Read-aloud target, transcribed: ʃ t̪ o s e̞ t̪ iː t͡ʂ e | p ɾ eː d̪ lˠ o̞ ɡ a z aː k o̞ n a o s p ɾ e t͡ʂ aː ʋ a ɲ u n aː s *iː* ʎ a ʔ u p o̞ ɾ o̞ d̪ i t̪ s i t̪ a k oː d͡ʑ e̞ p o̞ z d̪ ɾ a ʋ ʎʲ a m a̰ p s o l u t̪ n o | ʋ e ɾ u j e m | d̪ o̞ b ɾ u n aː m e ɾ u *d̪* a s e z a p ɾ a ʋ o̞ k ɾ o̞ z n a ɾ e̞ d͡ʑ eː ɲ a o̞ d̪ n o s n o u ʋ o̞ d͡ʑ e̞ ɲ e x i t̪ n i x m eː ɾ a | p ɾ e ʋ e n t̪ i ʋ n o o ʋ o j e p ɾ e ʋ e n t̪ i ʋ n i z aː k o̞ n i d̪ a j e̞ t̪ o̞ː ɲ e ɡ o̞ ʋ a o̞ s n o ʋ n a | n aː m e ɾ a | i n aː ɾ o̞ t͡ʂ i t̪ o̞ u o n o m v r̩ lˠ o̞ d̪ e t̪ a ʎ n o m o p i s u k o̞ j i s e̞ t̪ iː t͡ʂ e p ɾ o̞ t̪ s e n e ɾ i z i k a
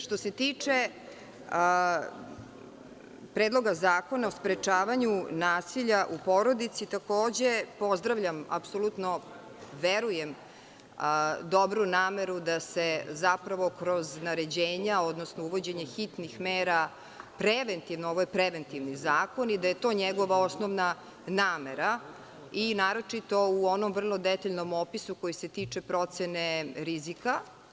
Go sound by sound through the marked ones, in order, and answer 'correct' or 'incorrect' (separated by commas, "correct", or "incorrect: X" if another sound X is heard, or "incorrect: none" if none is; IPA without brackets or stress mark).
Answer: incorrect: i, correct